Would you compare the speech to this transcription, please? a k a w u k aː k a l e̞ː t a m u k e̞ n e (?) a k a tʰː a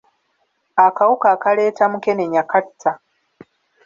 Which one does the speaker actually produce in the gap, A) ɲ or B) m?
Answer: A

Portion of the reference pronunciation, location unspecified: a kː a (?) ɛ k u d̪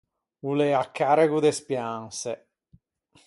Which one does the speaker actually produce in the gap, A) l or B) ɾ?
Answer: B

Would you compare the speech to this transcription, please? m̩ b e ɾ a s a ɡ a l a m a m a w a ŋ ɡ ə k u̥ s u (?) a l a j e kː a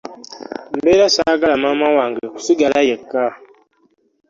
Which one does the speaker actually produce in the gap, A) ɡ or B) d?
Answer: A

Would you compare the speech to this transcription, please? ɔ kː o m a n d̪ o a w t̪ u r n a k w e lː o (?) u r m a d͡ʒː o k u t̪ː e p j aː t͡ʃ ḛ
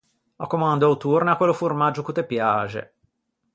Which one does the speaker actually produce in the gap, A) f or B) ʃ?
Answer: A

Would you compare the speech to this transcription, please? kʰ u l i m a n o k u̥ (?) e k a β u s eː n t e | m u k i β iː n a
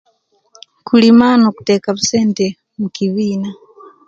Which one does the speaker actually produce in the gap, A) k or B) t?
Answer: B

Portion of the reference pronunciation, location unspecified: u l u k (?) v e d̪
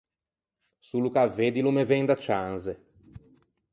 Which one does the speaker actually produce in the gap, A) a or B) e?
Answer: A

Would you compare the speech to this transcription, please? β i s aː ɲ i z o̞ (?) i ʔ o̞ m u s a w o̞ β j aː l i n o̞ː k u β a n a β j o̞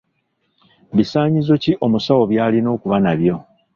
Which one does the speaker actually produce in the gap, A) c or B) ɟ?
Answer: A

